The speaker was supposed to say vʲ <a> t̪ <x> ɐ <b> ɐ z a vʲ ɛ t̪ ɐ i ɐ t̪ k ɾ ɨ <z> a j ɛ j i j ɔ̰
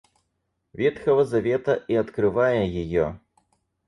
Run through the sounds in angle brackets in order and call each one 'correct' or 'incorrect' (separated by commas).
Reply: incorrect, correct, incorrect, incorrect